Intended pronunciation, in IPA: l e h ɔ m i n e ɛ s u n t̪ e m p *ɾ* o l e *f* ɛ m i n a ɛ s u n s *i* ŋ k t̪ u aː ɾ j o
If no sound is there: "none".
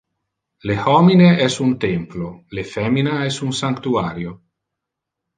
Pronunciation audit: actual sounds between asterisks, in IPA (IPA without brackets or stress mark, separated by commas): l, f, a